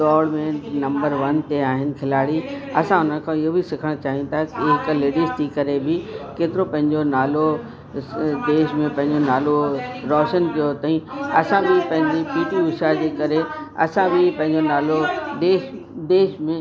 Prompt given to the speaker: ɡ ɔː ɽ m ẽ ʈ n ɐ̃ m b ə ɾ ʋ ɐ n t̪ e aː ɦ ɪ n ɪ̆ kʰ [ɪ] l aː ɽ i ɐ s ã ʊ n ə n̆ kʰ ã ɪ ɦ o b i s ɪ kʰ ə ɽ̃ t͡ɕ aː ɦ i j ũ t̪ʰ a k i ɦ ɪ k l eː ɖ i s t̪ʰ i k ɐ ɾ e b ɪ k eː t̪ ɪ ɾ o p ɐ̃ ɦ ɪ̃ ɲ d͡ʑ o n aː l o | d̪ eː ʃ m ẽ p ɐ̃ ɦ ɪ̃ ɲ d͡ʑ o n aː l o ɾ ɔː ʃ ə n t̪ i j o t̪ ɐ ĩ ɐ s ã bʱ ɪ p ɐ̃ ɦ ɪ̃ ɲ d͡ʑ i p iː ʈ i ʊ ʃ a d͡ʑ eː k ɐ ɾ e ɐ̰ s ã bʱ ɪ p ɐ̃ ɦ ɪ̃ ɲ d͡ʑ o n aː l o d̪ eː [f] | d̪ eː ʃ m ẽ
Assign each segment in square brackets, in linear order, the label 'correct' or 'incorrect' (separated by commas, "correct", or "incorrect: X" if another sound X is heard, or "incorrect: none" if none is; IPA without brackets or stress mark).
correct, incorrect: ʃ